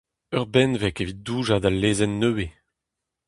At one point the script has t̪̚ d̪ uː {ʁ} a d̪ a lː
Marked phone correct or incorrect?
incorrect